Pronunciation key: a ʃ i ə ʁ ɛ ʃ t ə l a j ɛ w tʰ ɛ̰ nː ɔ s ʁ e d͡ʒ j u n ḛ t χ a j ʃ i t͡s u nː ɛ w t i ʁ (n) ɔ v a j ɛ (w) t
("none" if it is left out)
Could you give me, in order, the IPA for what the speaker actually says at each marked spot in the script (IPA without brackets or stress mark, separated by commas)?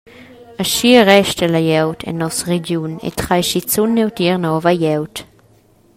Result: n, w